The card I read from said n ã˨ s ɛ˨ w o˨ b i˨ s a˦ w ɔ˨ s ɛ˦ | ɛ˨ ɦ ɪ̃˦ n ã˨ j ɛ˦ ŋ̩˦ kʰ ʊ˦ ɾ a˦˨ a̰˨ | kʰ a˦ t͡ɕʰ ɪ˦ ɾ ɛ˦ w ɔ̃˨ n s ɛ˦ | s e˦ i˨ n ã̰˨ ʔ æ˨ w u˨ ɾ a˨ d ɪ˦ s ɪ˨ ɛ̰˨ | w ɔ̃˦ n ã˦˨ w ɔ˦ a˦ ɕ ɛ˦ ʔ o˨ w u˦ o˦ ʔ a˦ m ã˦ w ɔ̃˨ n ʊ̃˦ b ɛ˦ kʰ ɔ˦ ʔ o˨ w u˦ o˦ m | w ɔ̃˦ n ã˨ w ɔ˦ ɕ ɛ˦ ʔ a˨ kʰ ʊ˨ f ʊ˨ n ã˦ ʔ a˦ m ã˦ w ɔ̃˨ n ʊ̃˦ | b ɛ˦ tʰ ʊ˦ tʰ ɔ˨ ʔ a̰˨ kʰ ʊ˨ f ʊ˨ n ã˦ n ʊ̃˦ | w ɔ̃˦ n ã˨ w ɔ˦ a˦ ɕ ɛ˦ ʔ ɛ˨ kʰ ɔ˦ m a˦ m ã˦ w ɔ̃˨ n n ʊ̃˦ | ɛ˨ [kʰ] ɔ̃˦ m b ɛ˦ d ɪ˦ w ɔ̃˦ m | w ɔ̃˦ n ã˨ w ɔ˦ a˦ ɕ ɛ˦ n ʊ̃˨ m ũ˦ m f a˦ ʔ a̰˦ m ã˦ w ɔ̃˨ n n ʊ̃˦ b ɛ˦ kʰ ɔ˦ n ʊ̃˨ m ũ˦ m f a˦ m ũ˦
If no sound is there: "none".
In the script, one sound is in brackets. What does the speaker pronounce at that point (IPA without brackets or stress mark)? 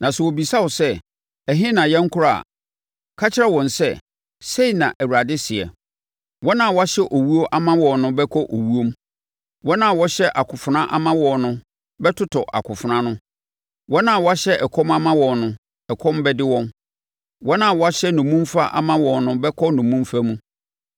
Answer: kʰ